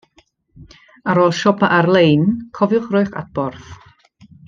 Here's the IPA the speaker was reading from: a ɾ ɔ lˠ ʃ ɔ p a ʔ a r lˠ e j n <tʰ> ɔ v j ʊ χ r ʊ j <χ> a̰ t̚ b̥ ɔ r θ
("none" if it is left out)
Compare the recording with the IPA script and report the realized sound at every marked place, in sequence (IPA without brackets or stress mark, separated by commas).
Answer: kʰ, χ